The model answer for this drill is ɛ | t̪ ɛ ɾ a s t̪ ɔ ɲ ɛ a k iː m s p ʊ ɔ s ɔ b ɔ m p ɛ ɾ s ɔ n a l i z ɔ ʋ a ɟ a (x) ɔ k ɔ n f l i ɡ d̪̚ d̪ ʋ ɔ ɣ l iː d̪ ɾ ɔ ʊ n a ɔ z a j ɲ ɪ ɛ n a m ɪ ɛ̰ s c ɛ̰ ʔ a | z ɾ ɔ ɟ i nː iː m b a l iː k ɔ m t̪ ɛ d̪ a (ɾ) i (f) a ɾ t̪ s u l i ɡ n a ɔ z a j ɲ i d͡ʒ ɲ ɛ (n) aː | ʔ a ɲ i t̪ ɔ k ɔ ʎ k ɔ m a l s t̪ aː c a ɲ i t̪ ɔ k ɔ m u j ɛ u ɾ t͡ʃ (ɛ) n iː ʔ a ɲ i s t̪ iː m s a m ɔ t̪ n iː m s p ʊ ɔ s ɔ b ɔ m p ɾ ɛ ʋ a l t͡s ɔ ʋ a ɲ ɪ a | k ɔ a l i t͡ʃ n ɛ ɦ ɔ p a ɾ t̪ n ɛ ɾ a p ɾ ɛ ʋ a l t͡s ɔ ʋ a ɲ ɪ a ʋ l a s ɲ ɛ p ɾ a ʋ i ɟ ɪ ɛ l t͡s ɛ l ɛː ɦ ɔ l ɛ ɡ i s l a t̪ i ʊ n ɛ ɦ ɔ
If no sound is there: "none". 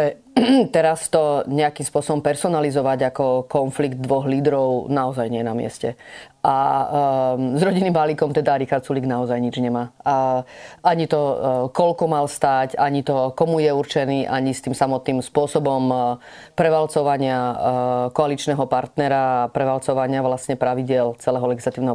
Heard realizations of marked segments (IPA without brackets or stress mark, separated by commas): k, ɾ, x, m, ɛ